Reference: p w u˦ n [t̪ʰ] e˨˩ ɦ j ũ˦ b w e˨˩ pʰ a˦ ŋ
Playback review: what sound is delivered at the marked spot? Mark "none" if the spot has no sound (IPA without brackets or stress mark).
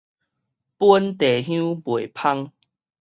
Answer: t̪